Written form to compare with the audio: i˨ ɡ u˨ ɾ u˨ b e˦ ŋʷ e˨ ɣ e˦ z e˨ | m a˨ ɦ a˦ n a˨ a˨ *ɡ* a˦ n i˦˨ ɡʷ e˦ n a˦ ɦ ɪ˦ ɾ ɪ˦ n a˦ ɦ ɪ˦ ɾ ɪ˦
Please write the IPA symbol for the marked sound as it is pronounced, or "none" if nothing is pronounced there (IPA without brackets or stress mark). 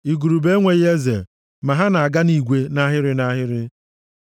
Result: ɡ